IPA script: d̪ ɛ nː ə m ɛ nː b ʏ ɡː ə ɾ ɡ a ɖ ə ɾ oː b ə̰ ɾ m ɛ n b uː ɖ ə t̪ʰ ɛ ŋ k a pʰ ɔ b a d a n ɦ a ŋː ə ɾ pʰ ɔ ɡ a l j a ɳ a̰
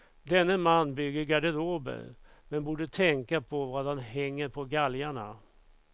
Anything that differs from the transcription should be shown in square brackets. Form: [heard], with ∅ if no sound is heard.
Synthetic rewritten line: d̪ ɛ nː ə m [a] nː b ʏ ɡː ə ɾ ɡ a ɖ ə ɾ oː b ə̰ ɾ m ɛ n b uː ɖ ə t̪ʰ ɛ ŋ k a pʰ ɔ [v] a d a n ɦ [ɛ] ŋː ə ɾ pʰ ɔ ɡ a l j a ɳ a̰